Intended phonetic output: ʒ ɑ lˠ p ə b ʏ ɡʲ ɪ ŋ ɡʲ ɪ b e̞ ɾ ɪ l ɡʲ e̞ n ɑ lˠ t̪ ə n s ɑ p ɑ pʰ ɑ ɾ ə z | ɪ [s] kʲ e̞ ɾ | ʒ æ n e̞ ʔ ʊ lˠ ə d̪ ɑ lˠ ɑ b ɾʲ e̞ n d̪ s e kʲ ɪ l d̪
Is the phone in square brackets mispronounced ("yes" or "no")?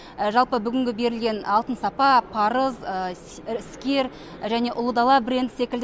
no